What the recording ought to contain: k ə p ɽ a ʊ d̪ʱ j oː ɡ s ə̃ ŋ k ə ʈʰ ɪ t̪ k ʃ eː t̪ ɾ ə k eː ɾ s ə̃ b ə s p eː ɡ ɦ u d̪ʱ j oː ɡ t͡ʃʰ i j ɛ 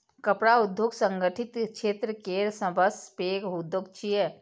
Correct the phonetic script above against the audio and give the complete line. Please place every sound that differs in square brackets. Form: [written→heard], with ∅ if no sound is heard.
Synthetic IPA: k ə p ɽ a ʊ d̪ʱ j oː ɡ s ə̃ ŋ [k→ɡ] ə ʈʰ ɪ t̪ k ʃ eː t̪ ɾ ə k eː ɾ s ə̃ b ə s p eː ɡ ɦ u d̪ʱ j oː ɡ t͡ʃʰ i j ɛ